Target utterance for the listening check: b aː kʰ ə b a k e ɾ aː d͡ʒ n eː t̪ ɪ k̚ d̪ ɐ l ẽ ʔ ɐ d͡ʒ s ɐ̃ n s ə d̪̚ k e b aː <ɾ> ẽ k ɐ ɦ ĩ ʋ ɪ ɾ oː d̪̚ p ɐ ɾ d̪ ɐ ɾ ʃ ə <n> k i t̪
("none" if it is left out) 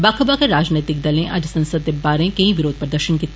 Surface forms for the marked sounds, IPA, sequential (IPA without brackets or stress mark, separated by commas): ɾ, n